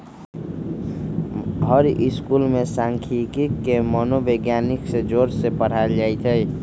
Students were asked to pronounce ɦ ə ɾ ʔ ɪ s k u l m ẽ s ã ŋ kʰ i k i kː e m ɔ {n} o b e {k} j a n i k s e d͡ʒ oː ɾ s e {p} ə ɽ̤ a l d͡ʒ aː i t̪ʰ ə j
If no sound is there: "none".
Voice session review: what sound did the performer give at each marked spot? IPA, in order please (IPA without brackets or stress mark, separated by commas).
n, ɡ, p